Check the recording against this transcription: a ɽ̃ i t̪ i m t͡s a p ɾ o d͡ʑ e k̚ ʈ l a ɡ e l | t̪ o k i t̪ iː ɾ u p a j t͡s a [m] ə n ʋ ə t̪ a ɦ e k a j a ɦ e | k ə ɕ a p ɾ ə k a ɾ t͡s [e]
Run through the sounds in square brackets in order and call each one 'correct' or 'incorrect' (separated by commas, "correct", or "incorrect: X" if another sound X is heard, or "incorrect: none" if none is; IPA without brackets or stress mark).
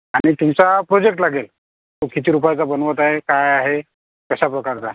incorrect: b, incorrect: a